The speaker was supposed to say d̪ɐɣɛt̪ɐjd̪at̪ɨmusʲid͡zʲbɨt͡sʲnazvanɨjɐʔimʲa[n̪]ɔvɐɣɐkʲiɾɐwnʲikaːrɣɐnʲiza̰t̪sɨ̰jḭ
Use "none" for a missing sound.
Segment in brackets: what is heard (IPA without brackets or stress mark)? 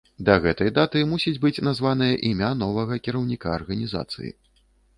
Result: n̪